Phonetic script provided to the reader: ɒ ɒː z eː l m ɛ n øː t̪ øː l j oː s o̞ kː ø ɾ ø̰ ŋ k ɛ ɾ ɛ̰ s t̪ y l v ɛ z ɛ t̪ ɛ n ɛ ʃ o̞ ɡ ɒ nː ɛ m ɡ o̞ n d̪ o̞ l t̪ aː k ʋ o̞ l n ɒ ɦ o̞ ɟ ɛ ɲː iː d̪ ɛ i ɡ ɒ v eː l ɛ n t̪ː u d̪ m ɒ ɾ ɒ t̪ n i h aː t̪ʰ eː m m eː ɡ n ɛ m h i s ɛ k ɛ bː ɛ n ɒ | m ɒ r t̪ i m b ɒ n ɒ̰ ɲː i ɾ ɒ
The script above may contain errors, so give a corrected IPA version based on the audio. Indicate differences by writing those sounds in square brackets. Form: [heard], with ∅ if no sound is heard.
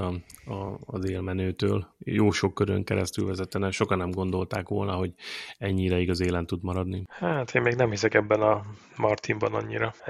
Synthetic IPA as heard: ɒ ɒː z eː l m ɛ n øː t̪ øː l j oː [ʃ] o̞ kː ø ɾ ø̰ ŋ k ɛ ɾ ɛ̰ s t̪ y l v ɛ z ɛ t̪ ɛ n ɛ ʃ o̞ [k] ɒ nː ɛ m ɡ o̞ n d̪ o̞ l t̪ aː k ʋ o̞ l n ɒ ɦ o̞ ɟ ɛ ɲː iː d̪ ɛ i ɡ ɒ [z] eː l ɛ n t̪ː u d̪ m ɒ ɾ ɒ [d̪] n i h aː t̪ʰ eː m m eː ɡ n ɛ m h i s ɛ k ɛ bː ɛ n ɒ | m ɒ r t̪ i m b ɒ n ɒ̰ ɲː i ɾ ɒ